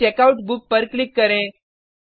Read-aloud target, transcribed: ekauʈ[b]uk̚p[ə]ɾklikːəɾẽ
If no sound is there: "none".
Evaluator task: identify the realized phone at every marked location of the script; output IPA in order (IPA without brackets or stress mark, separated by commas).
b, ə